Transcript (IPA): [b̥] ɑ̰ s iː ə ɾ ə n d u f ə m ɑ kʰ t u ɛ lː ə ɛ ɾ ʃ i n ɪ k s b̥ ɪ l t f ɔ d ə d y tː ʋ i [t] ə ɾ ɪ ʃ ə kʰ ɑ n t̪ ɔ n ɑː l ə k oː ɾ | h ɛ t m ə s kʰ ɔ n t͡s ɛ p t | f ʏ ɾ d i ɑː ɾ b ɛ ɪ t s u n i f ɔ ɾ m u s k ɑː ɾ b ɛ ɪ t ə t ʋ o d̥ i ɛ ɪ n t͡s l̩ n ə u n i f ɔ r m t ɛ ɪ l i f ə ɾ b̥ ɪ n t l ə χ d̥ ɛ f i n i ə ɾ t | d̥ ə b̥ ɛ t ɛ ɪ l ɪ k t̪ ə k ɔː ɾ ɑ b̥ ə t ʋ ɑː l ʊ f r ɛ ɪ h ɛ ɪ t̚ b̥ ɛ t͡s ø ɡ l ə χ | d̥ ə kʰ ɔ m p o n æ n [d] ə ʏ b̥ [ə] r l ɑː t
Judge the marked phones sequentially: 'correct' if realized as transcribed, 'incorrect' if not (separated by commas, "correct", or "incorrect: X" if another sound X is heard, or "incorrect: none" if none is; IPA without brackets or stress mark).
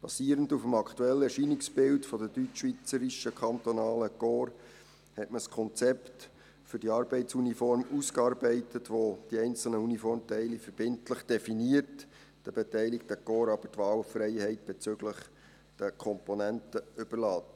correct, incorrect: t͡s, incorrect: t, correct